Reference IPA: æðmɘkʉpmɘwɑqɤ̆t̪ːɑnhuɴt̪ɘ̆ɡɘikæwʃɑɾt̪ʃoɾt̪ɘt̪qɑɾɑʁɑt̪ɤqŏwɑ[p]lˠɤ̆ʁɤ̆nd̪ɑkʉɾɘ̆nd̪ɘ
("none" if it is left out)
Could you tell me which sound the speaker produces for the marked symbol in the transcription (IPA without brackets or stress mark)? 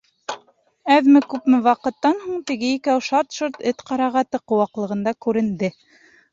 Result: q